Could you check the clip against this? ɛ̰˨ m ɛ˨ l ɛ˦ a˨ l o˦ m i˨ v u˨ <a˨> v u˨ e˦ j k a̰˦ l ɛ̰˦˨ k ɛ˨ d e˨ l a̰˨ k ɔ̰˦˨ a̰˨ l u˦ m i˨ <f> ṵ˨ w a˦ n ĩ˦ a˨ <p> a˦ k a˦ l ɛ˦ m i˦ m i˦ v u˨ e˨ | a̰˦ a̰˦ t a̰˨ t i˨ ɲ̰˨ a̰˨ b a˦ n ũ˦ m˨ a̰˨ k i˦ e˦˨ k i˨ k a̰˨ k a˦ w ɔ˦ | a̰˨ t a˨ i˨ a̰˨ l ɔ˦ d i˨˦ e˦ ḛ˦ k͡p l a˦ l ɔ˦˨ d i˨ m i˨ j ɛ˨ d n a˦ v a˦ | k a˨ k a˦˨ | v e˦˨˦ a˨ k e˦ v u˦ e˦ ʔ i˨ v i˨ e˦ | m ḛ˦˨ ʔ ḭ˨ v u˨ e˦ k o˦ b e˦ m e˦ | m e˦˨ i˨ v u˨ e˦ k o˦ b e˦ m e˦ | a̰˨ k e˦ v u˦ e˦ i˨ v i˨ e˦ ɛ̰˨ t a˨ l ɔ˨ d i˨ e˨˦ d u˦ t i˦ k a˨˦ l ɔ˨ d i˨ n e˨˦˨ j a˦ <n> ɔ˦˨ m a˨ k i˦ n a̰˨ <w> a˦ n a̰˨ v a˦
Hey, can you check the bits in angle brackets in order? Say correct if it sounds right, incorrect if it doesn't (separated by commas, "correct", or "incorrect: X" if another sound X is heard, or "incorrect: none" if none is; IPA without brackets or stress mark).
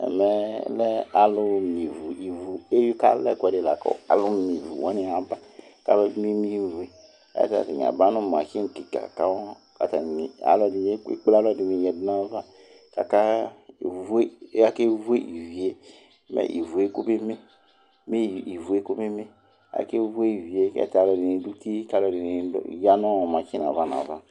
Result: incorrect: i˨, incorrect: v, incorrect: b, correct, incorrect: v